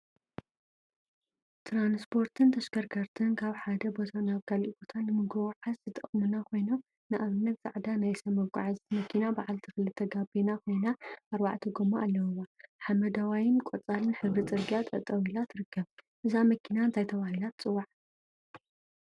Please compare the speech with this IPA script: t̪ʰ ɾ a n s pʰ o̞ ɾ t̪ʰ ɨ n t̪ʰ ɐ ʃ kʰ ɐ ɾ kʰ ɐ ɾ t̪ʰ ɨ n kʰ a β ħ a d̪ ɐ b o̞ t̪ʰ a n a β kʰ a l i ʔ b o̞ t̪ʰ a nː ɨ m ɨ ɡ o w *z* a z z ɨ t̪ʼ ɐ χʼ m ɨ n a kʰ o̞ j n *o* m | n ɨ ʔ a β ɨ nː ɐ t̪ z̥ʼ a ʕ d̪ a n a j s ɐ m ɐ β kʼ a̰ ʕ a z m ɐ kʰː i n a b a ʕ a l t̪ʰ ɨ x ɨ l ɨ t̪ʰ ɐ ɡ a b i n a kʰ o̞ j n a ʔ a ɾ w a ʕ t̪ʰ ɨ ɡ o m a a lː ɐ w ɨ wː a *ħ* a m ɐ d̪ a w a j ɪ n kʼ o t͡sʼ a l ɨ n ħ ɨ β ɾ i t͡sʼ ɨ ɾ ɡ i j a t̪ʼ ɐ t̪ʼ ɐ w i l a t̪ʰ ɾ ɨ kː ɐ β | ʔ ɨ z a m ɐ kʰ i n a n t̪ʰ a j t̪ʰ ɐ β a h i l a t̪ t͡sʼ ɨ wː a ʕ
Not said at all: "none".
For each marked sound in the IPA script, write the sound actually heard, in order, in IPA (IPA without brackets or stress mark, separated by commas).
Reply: ʕ, o, ħ